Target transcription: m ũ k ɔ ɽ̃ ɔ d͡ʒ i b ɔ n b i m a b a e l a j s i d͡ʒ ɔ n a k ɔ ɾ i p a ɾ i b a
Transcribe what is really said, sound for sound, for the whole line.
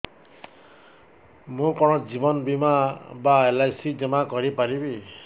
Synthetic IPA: m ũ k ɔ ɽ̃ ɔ d͡ʒ i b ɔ n b i m a b a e l a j s i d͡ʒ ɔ m a k ɔ ɾ i p a ɾ i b i